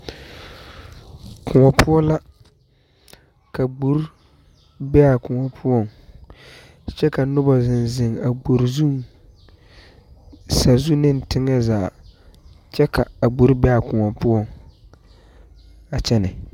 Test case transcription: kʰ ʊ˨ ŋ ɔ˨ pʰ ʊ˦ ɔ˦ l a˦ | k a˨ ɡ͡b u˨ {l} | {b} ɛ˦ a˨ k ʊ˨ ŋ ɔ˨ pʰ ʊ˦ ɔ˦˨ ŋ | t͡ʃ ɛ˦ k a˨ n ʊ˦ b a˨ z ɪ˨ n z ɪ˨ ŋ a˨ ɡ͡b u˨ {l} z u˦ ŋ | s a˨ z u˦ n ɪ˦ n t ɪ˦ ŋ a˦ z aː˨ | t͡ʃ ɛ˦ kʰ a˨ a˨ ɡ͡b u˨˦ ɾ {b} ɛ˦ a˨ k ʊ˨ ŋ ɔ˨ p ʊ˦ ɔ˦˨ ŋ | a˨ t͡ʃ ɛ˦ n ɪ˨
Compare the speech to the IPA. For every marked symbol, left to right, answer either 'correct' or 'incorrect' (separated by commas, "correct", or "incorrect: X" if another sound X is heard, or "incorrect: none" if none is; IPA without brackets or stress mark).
incorrect: ɾ, correct, incorrect: ɾ, correct